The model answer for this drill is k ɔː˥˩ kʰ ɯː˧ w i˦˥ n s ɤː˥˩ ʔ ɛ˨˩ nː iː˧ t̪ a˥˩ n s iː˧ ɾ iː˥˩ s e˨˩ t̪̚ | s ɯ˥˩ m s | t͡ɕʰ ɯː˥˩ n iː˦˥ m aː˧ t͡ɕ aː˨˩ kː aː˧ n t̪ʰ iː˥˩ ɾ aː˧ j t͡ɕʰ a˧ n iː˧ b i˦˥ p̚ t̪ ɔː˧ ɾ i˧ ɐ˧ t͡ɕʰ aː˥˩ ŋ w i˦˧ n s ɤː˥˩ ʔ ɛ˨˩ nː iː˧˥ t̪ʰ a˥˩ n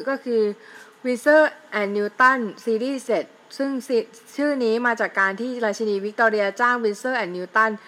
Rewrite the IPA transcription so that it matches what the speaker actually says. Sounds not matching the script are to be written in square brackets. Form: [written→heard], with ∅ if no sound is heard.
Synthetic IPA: k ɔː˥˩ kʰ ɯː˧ w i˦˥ n s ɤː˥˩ ʔ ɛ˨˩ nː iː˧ t̪ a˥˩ n s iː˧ ɾ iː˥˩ s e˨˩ t̪̚ | s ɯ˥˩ [m→ŋ] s | t͡ɕʰ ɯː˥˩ n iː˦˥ m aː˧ t͡ɕ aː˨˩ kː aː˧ n t̪ʰ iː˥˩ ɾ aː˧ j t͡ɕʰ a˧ n iː˧ [b→w] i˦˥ [p̚→k̚] t̪ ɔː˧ ɾ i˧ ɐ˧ [t͡ɕʰ→t͡ɕ] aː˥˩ ŋ w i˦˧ n s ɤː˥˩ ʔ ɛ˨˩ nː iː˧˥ [t̪ʰ→t̪] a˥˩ n